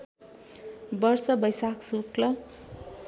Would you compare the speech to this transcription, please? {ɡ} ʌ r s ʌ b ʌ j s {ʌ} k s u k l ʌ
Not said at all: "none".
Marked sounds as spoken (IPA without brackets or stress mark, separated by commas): b, a